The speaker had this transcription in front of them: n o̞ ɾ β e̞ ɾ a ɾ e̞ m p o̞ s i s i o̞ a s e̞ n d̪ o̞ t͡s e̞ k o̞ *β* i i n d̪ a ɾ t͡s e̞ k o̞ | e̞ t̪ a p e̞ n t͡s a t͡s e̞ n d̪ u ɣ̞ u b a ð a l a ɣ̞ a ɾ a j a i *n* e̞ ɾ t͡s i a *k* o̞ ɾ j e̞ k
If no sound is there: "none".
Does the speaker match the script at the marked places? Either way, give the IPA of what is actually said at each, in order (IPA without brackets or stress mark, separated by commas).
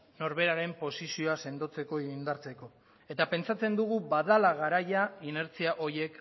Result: none, n, ʔ